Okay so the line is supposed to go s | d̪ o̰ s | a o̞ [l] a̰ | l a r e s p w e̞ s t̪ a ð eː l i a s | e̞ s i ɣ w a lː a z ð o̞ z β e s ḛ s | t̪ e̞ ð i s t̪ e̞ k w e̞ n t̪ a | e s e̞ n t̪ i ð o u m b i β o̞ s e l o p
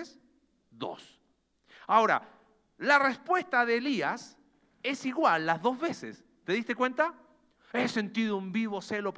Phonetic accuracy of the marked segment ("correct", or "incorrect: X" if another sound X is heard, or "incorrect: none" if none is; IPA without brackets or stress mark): incorrect: ɾ